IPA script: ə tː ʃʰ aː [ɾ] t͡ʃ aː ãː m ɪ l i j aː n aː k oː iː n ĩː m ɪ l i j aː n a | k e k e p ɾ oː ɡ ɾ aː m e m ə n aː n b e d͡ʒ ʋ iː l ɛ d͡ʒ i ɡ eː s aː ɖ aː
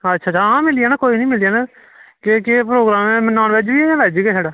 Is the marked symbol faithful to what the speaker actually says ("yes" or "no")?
no